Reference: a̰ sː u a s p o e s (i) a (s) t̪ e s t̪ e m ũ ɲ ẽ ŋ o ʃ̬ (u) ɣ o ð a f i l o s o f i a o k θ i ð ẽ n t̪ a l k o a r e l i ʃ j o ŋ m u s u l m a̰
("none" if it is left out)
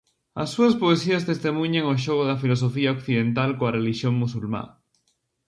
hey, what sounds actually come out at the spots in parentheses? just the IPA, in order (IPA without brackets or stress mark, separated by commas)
i, s, o